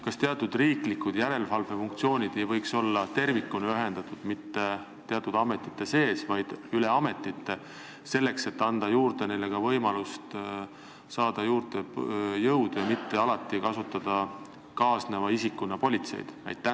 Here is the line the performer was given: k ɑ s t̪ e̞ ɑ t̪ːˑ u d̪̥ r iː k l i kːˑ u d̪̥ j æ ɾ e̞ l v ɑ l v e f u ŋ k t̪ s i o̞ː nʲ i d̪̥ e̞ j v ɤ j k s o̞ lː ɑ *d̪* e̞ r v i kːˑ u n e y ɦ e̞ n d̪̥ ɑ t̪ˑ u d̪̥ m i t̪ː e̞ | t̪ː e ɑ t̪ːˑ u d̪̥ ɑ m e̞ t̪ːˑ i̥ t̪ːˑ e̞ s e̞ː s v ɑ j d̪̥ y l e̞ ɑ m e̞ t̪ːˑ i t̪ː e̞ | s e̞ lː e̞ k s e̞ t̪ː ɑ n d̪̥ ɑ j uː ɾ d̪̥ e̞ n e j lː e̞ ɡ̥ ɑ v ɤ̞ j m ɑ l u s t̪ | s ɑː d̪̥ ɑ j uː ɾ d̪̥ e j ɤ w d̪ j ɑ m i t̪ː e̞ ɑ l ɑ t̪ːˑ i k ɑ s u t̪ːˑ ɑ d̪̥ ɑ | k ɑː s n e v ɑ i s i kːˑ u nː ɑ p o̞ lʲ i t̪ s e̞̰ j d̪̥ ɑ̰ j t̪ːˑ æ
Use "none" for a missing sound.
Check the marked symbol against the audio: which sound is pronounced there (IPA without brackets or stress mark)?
t̪